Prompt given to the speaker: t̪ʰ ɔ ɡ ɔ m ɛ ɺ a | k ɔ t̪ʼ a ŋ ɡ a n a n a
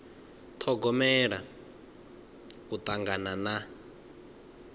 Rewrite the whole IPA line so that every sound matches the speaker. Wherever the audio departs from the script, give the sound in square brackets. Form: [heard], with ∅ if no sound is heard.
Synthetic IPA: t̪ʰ ɔ ɡ ɔ m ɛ ɺ a | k [u] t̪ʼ a ŋ ɡ a n a n a